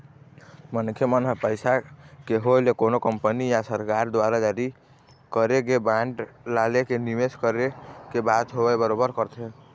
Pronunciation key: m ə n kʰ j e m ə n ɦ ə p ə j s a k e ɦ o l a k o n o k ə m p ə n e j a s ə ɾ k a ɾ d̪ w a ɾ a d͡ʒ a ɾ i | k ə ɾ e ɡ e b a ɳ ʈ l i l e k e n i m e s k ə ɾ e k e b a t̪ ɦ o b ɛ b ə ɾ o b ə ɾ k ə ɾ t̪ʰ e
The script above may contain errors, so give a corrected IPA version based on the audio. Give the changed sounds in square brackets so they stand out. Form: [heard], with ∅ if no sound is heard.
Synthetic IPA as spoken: m ə n kʰ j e m ə n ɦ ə p ə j s a k e ɦ o l [e] k o n o k ə m p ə n [i] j a s ə ɾ k a ɾ d̪ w a ɾ a d͡ʒ a ɾ i | k ə ɾ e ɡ e b a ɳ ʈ l [a] l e k e n i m e s k ə ɾ e k e b a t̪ ɦ o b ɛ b ə ɾ o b ə ɾ k ə ɾ t̪ʰ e